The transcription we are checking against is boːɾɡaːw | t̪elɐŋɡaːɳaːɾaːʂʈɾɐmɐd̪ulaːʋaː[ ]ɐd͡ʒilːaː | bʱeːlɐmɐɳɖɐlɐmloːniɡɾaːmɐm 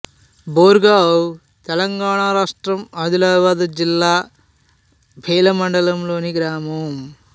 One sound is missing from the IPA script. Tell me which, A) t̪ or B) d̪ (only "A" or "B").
B